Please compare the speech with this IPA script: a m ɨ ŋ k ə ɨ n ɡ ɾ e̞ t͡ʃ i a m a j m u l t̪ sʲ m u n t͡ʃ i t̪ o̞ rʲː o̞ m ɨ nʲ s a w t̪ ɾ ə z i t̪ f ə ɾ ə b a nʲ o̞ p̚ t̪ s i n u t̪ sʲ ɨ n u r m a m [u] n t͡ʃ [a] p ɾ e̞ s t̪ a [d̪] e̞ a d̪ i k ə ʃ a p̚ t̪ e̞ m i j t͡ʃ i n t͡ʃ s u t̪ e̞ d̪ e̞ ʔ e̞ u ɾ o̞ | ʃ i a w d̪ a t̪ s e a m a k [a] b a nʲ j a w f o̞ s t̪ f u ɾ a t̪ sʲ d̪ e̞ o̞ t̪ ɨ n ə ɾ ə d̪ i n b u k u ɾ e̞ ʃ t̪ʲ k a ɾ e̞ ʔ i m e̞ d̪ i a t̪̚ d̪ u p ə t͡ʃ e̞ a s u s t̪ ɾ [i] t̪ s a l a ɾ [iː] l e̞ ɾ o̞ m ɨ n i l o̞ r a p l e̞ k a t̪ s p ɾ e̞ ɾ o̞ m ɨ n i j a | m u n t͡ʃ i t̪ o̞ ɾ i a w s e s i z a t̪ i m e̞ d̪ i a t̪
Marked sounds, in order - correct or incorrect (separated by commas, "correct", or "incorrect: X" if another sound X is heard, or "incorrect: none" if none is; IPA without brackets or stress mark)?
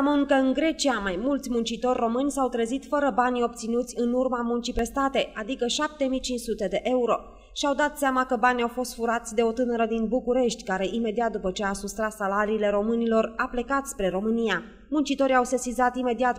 correct, incorrect: i, incorrect: t̪, incorrect: ə, incorrect: a, correct